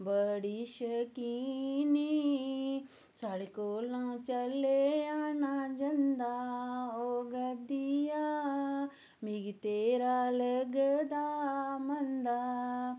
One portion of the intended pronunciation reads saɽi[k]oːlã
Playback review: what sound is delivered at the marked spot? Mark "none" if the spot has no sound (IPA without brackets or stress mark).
k